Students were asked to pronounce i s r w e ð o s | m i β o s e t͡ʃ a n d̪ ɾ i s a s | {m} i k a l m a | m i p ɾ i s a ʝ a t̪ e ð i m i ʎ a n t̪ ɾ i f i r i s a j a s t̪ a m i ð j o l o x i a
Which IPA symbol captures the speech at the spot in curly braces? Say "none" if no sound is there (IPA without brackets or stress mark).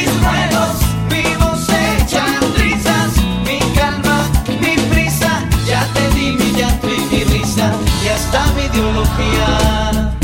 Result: m